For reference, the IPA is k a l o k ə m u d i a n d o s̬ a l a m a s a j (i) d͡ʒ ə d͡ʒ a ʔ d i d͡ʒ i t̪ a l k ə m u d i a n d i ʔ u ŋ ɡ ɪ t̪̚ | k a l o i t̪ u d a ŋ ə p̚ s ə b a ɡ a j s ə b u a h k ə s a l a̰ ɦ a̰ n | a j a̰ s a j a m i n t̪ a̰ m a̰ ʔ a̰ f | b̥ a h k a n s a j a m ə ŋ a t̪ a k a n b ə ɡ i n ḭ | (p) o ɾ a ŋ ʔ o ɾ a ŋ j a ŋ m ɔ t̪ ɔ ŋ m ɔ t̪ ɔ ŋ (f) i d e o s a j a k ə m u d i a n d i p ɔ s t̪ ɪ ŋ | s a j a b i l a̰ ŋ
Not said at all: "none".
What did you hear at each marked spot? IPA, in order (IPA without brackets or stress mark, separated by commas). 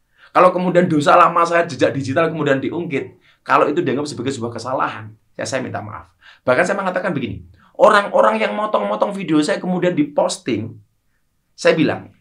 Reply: a, ʔ, f